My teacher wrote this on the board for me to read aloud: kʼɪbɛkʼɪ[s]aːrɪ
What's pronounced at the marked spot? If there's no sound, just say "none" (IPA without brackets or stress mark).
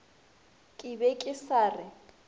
s